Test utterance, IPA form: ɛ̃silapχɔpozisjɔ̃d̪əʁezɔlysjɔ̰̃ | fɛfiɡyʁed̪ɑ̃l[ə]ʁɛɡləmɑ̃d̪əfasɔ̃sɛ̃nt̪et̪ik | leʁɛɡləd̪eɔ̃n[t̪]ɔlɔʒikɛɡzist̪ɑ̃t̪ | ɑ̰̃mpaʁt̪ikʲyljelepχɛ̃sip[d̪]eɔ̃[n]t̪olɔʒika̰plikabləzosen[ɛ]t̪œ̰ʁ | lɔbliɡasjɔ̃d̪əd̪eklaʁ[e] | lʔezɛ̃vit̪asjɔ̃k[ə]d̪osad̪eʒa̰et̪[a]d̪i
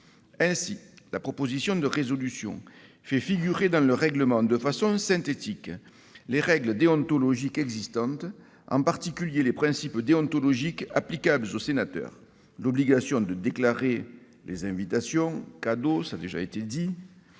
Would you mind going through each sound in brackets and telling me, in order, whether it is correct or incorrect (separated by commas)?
correct, correct, correct, correct, incorrect, correct, incorrect, incorrect